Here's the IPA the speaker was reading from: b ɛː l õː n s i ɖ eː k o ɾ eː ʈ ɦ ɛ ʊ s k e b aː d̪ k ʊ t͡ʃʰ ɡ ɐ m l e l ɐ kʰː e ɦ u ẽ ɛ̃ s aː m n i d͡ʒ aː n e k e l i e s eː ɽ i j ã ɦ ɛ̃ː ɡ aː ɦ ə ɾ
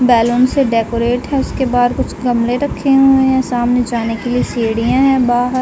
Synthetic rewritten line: b ɛː l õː n s e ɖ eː k o ɾ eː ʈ ɦ ɛ ʊ s k e b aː d̪ k ʊ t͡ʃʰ ɡ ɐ m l e ɾ ɐ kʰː e ɦ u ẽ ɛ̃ s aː m n e d͡ʒ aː n e k e l i e s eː ɽ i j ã ɦ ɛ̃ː b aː ɦ ə ɾ